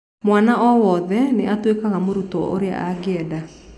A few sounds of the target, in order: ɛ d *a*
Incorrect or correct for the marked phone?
correct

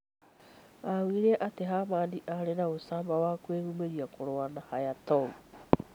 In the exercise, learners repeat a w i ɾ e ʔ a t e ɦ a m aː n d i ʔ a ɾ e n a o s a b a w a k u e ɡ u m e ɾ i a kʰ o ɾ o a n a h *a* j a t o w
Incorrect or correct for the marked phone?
correct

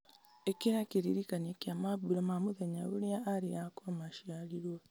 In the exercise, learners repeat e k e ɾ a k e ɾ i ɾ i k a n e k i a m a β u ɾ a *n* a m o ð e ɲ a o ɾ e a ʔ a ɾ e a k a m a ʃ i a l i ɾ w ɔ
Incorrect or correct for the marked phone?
incorrect: m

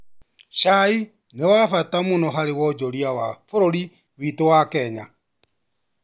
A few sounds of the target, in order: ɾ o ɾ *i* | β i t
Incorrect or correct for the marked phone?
correct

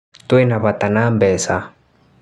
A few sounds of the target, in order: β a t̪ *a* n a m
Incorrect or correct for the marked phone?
correct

